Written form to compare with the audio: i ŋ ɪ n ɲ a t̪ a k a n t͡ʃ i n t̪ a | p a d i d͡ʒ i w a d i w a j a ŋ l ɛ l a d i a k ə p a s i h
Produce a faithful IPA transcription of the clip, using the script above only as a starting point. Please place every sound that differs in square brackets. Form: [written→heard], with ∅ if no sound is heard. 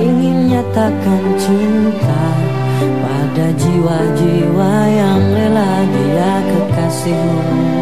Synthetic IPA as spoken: i ŋ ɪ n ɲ a t̪ a k a n t͡ʃ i n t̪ a | p a d [i→a] d͡ʒ i w a [d→d͡ʒ] i w a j a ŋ l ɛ l a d i a k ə [p→k] a s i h